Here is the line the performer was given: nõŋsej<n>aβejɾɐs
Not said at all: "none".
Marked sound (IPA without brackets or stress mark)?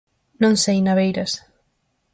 n